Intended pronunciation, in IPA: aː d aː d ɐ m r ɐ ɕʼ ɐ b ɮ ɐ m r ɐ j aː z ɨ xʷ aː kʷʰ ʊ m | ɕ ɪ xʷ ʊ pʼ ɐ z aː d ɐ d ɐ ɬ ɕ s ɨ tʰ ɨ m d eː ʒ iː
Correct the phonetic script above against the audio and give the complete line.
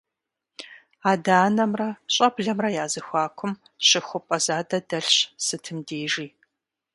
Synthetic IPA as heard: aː d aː n ɐ m r ɐ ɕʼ ɐ b ɮ ɐ m r ɐ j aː z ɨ xʷ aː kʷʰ ʊ m | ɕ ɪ xʷ ʊ pʼ ɐ z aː d ɐ d ɐ ɬ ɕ s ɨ tʰ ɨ m d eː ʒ iː